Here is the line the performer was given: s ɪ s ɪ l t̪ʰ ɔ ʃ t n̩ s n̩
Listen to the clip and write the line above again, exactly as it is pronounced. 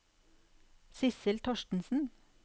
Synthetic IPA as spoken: s ɪ s ɪ l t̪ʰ ɔ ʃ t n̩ s n̩